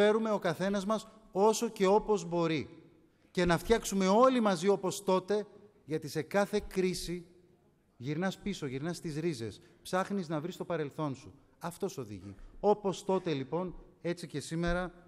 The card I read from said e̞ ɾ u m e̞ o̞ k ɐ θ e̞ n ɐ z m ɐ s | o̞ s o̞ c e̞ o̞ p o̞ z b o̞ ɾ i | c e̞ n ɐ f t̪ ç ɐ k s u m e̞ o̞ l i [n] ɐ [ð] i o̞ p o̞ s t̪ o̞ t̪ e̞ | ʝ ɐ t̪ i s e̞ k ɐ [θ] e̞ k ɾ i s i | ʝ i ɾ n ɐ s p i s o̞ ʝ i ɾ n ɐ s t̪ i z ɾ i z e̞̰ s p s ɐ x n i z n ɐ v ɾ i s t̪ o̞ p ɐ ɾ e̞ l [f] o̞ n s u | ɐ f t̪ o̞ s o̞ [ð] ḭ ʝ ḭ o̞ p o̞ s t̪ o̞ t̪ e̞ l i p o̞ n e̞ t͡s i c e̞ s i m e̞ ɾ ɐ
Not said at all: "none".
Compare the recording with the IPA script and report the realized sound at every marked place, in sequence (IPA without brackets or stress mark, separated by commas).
m, z, θ, θ, ð